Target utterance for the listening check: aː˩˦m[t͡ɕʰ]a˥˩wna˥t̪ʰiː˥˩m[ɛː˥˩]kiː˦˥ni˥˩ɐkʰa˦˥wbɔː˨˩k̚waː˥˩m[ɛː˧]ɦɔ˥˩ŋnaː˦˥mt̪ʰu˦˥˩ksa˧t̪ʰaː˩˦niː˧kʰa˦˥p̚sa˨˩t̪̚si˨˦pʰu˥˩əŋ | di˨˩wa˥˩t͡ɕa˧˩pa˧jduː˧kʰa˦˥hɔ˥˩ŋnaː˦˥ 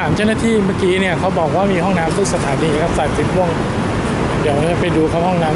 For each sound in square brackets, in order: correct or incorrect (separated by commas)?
incorrect, incorrect, incorrect